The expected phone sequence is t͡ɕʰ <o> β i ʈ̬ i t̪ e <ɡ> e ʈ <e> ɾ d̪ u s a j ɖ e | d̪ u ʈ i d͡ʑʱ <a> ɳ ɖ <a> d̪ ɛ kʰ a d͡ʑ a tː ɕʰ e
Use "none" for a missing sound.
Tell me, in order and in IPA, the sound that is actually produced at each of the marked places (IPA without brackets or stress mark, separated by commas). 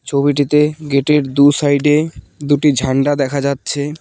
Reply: o, ɡ, e, a, a